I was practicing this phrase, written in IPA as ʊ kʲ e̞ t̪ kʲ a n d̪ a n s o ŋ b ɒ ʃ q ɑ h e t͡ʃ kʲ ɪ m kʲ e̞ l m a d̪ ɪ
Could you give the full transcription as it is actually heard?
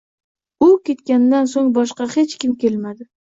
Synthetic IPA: ʊ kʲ e̞ t̪ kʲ a n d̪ a n s o ŋ b ɒ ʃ q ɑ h e t͡ʃ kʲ ɪ m kʲ e̞ l m a d̪ ɪ